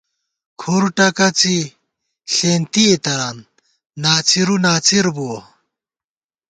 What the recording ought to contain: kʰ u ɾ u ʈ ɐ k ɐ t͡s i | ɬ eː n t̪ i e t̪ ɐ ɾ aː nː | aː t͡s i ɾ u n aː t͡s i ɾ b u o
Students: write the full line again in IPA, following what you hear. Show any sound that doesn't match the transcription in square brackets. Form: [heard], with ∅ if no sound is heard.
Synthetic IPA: kʰ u ɾ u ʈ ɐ k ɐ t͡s i | ɬ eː n t̪ i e t̪ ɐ ɾ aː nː | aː t͡s i ɾ u n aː t͡s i ɾ b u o